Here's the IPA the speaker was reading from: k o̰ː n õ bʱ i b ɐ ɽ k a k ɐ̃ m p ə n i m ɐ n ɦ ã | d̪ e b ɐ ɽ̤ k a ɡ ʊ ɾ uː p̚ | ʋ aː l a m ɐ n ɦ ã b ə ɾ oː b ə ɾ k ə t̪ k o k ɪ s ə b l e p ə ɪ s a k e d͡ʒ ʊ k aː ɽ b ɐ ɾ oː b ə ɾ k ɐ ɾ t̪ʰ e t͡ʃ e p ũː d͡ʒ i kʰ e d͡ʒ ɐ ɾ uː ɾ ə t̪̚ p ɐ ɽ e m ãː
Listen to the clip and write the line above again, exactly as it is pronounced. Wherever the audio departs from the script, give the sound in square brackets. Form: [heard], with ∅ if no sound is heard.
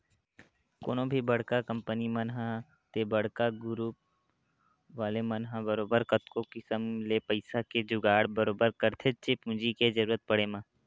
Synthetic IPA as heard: k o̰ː n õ bʱ i b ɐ ɽ k a k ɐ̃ m p ə n i m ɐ n ɦ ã | [t̪] e b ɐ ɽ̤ k a ɡ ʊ ɾ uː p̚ | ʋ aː l [e] m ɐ n ɦ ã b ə ɾ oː b ə ɾ k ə t̪ k o k ɪ s ə [m] l e p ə ɪ s a k e d͡ʒ ʊ [ɡ] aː ɽ b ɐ ɾ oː b ə ɾ k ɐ ɾ t̪ʰ e t͡ʃ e p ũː d͡ʒ i [k] e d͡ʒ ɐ ɾ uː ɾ ə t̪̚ p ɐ ɽ e m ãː